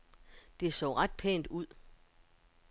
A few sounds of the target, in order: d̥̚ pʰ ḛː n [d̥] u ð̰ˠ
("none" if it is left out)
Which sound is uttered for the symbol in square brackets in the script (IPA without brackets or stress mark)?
d̥